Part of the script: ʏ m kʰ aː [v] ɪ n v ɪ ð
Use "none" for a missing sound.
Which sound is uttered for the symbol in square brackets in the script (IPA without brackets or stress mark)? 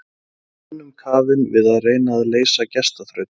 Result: v